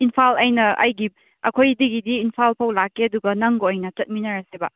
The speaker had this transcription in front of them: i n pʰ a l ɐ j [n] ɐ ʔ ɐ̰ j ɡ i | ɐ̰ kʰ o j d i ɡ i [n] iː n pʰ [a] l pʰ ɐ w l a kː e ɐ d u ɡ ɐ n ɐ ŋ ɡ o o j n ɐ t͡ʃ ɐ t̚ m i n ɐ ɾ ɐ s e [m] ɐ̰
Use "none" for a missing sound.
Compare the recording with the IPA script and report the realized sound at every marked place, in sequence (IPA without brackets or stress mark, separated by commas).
n, d, a, b